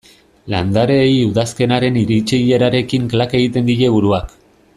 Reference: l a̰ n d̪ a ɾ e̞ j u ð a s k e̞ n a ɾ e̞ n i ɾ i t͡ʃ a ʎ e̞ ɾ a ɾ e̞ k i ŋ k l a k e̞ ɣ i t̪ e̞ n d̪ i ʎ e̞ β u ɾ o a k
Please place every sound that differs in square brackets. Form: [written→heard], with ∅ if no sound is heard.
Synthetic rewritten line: l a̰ n d̪ a ɾ e̞ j u ð a s k e̞ n a ɾ e̞ n i ɾ i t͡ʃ [a→i] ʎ e̞ ɾ a ɾ e̞ k i ŋ k l a k e̞ ɣ i t̪ e̞ n d̪ i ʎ e̞ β u ɾ [o→u] a k